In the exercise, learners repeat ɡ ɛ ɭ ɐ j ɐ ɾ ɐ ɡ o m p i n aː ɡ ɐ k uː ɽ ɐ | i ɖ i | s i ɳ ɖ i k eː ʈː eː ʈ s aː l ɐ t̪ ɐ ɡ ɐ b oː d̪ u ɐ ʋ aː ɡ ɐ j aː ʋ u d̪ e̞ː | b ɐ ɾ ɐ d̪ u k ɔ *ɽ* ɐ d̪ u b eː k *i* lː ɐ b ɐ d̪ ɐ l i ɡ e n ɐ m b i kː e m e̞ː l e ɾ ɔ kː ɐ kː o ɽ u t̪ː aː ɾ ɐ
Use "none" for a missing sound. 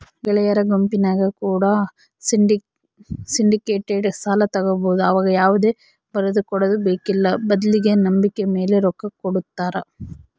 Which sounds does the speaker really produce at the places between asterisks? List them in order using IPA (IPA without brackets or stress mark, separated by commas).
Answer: ɽ, i